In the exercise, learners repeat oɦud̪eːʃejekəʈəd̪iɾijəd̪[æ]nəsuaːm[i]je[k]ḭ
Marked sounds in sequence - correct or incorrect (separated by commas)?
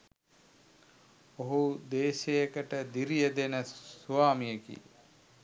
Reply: incorrect, correct, correct